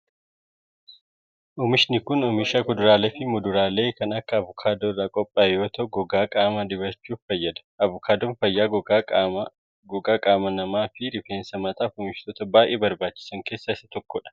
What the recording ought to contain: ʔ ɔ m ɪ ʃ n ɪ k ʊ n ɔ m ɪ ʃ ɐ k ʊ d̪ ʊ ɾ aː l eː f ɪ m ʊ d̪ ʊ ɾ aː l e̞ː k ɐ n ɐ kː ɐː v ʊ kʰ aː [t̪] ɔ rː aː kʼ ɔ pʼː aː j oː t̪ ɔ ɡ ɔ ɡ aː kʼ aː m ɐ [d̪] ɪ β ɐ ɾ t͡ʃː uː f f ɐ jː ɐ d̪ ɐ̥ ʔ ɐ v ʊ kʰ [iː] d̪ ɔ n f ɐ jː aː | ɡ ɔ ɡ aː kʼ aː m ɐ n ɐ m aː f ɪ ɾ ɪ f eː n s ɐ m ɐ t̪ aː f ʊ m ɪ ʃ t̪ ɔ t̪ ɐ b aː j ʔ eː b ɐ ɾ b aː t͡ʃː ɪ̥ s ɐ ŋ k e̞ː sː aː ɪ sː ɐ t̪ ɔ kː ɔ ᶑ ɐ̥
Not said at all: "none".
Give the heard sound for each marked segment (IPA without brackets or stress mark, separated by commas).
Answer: d̪, d̪, aː